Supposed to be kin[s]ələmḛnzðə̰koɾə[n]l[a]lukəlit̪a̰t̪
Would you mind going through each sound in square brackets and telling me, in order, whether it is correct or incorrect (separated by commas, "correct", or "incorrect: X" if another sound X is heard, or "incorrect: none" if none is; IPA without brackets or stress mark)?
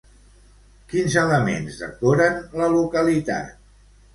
incorrect: z, correct, incorrect: ə